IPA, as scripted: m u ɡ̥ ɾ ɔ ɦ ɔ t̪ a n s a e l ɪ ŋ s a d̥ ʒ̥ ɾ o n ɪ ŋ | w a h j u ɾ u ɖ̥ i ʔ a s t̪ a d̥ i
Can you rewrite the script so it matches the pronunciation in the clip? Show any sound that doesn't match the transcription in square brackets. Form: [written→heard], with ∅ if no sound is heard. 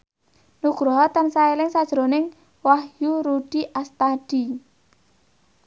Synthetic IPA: [m→n] u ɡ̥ ɾ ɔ ɦ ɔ t̪ a n s a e l ɪ ŋ s a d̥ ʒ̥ ɾ o n ɪ ŋ | w a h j u ɾ u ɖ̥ i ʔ a s t̪ a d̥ i